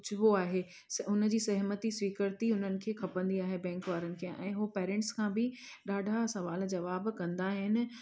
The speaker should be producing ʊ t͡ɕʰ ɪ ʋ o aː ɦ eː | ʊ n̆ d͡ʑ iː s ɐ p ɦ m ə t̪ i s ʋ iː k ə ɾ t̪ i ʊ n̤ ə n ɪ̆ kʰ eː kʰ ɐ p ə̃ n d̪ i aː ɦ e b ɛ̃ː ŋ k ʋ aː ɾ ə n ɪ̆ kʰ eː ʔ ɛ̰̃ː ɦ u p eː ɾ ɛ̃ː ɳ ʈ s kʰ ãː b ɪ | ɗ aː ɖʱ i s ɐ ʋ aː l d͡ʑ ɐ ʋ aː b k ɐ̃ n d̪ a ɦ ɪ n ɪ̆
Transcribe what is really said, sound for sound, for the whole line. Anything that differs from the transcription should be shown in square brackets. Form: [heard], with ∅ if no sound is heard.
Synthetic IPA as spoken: ʊ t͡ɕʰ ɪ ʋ o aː ɦ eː | ʊ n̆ d͡ʑ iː s ɐ [∅] ɦ m ə t̪ i s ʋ iː k ə ɾ t̪ i ʊ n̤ ə n ɪ̆ kʰ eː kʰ ɐ p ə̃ n d̪ i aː ɦ e b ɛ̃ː ŋ k ʋ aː ɾ ə n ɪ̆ kʰ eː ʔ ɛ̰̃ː ɦ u p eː ɾ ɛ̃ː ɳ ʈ s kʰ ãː b ɪ | ɗ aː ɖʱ [a] s ɐ ʋ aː l d͡ʑ ɐ ʋ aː b k ɐ̃ n d̪ a ɦ ɪ n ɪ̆